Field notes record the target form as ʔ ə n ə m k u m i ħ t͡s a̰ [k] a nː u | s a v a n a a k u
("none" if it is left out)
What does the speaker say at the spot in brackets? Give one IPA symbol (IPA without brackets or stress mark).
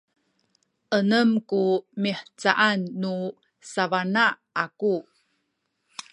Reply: ʔ